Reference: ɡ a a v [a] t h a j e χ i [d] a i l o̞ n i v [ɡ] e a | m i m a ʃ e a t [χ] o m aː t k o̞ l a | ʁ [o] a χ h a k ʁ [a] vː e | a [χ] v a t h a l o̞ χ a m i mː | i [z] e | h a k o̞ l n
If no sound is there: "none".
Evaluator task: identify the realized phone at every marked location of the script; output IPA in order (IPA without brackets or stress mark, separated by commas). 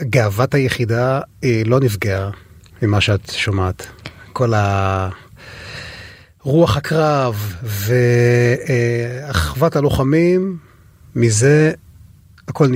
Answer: a, d, ɡ, ʃ, u, a, χ, z